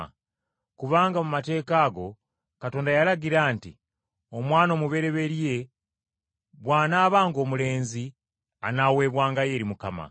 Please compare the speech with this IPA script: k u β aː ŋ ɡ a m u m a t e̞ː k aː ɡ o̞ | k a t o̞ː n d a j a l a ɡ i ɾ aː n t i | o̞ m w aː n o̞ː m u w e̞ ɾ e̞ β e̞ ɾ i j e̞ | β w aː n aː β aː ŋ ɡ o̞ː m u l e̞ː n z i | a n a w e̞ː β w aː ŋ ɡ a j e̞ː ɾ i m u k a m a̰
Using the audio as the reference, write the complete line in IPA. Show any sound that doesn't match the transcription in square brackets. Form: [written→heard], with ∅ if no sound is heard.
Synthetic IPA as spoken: k u β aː ŋ ɡ a m u m a t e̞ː k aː ɡ o̞ | k a t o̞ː n d a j a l a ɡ i ɾ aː n t i | o̞ m w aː n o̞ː m u [w→β] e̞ ɾ e̞ β e̞ ɾ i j e̞ | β w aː n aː β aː ŋ ɡ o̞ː m u l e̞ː n z i | a n a w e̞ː β w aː ŋ ɡ a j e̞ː ɾ i m u k a m a̰